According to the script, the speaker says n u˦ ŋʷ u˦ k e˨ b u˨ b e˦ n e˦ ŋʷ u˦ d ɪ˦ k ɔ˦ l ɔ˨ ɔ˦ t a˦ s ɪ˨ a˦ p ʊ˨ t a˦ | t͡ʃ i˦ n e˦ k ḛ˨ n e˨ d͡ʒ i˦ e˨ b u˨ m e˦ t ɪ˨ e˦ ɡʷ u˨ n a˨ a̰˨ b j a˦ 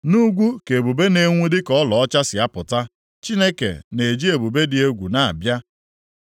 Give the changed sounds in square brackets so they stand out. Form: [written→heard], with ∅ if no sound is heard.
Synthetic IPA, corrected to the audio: n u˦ [ŋʷ→ɡʷ] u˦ k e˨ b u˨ b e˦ n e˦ ŋʷ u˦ d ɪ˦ k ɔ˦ l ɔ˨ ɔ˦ [t→t͡ʃ] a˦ s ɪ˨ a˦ p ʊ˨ t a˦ | t͡ʃ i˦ n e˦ k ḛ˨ n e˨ d͡ʒ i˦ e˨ b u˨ [m→b] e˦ [t→d] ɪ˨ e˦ ɡʷ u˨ n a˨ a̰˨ b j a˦